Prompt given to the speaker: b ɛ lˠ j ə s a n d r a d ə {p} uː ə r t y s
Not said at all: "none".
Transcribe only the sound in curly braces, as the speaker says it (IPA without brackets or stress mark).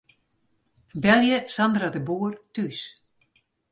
b